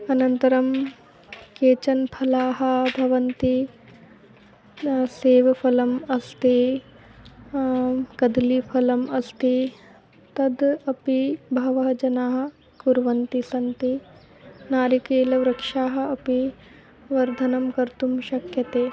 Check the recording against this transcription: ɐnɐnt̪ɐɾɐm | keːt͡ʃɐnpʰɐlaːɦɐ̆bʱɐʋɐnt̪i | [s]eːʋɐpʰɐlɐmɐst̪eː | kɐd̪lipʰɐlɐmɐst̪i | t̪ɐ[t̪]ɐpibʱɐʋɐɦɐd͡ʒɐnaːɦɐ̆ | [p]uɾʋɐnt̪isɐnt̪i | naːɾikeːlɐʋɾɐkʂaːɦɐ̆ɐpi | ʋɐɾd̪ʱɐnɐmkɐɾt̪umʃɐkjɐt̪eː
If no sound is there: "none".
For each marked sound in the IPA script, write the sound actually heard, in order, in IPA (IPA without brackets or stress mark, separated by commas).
s, d̪, k